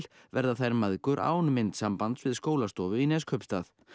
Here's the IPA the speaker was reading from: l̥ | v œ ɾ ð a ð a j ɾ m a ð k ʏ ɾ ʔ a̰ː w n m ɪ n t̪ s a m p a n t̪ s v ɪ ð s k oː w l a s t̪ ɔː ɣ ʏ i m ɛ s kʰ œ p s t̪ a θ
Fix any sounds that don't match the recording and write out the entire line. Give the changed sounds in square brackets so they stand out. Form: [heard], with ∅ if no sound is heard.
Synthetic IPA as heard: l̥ | v [ɛ] ɾ ð a [θ] a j ɾ m a ð k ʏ ɾ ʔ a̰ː w n m ɪ n t̪ s a m p a n t̪ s v ɪ ð s k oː w l a s t̪ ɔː [v] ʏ i [n] ɛ s kʰ œ p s t̪ a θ